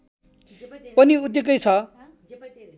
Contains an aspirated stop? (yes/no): yes